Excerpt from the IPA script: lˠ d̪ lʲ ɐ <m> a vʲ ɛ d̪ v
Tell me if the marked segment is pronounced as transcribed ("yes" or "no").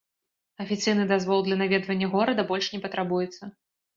no